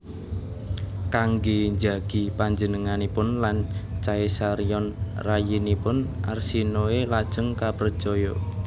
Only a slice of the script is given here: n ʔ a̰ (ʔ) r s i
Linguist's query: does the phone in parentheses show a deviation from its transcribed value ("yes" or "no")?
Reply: yes